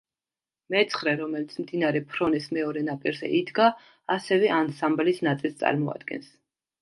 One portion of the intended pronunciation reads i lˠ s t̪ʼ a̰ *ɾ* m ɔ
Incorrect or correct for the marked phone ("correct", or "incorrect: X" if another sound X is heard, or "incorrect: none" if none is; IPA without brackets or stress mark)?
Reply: correct